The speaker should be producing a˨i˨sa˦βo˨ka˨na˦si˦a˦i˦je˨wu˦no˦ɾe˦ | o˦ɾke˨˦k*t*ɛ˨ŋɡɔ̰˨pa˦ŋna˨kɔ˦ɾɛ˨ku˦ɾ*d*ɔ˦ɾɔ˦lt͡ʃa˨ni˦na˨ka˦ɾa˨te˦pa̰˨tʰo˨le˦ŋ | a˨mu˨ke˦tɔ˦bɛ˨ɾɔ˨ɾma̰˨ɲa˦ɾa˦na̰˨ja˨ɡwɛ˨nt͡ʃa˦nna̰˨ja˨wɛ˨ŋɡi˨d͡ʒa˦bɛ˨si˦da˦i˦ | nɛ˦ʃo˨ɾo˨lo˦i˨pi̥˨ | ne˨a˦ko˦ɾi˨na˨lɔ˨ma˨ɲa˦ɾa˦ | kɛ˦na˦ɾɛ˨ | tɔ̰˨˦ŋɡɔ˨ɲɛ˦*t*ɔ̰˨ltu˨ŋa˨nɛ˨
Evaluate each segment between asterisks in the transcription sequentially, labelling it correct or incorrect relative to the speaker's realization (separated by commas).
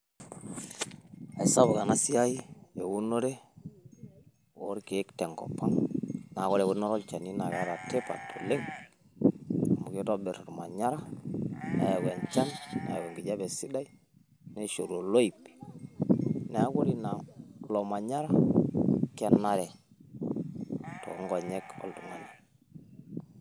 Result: correct, incorrect, incorrect